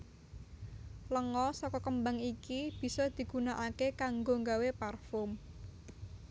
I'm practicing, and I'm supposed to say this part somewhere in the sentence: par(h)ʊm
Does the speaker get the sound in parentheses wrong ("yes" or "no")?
yes